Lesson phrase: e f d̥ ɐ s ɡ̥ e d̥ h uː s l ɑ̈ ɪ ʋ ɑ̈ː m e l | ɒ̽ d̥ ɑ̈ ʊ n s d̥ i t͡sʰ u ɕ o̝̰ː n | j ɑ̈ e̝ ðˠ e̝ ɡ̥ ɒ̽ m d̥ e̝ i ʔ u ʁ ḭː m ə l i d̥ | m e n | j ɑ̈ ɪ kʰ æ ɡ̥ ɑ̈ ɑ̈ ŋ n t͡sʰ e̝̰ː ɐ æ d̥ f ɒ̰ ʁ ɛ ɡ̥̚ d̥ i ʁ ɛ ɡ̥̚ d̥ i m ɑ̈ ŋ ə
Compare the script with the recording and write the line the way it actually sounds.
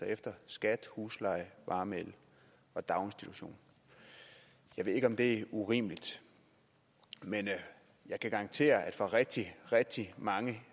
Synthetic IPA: e f d̥ ɐ s ɡ̥ æ d̥ h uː s l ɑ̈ ɪ ʋ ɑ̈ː m e l | ɒ̽ d̥ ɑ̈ ʊ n s d̥ i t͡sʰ u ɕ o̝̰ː n | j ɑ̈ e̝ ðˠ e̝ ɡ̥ ɒ̽ m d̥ e̝ æ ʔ u ʁ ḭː m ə l i d̥ | m e n | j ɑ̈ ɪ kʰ æ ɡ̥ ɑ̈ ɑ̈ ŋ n t͡sʰ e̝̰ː ɐ æ d̥ f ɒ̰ ʁ ɛ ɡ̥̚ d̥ i ʁ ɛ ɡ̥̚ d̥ i m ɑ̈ ŋ ə